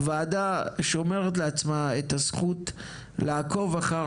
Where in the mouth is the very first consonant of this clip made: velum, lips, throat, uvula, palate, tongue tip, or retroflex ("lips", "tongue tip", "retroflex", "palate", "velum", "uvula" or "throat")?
lips